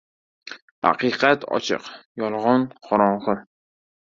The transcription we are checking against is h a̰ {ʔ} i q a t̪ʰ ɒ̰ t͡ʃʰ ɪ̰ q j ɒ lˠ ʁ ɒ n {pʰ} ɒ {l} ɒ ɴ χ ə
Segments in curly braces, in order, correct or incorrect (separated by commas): incorrect, incorrect, incorrect